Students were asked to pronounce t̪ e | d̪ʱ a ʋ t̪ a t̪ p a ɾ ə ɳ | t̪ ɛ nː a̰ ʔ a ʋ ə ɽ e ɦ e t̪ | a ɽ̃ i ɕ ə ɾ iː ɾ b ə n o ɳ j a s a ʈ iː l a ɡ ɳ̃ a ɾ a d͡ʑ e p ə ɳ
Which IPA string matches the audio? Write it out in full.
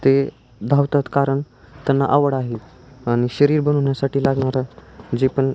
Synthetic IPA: t̪ e | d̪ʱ a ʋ t̪ a t̪ k a ɾ ə ɳ | t̪ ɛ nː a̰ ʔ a ʋ ə ɽ a ɦ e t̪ | a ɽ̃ i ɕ ə ɾ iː ɾ b ə n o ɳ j a s a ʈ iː l a ɡ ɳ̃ a ɾ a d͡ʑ e p ə ɳ